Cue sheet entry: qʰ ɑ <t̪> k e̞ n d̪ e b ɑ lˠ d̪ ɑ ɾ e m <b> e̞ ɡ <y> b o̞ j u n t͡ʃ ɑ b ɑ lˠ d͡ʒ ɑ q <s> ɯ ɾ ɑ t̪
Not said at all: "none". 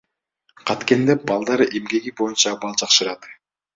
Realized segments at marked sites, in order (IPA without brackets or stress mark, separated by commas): t̪, ɡ, i, ʃ